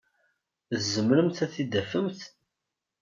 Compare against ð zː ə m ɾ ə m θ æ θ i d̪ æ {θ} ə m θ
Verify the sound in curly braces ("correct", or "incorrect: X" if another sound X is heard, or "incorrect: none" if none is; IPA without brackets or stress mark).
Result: incorrect: f